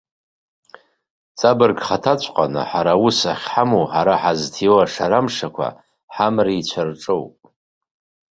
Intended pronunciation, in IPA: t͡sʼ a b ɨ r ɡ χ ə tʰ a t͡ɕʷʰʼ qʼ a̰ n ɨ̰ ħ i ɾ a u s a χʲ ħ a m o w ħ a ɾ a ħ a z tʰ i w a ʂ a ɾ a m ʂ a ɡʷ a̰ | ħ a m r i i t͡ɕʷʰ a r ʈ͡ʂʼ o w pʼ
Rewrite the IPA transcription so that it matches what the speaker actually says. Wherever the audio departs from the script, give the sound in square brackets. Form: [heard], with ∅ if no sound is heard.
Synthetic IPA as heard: t͡sʼ a b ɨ r ɡ χ [a] tʰ a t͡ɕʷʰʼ qʼ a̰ n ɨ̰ ħ [a] ɾ a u s a χʲ ħ a m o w ħ a ɾ a ħ a z tʰ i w a ʂ a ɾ a m ʂ a [kʷ] a̰ | ħ a m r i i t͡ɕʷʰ a r ʈ͡ʂʼ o w pʼ